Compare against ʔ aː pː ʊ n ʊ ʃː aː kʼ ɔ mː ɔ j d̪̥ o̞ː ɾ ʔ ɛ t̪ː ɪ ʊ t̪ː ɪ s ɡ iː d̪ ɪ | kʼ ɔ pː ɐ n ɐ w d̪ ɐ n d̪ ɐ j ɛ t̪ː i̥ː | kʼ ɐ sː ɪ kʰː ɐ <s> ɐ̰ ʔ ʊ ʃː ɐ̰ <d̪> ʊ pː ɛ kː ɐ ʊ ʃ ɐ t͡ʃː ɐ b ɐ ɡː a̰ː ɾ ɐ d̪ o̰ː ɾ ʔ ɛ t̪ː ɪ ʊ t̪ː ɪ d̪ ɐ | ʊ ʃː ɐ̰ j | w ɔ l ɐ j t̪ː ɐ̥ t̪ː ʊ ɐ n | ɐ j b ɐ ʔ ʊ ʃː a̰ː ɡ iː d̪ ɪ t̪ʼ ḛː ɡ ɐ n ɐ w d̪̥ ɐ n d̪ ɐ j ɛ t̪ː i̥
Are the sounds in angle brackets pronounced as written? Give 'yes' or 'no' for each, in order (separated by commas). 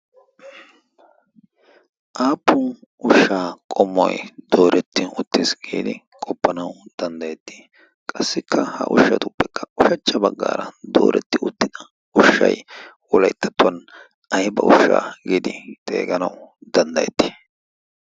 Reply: no, no